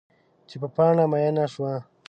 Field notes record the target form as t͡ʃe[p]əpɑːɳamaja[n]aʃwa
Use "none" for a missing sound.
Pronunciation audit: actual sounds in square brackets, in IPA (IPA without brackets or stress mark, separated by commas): p, n